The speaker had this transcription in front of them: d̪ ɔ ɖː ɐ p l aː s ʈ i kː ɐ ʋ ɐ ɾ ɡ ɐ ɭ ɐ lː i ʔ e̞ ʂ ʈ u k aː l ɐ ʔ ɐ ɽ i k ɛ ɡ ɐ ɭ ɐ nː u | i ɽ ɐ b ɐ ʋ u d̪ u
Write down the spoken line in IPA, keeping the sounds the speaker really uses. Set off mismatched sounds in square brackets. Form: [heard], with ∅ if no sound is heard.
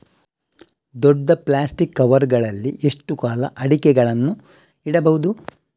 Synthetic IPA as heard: d̪ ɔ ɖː ɐ p l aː s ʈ i kː ɐ ʋ ɐ ɾ ɡ ɐ ɭ ɐ lː i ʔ e̞ ʂ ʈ u k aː l ɐ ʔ ɐ ɽ i k ɛ ɡ ɐ ɭ ɐ nː u | i ɽ ɐ b ɐ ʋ u d̪ u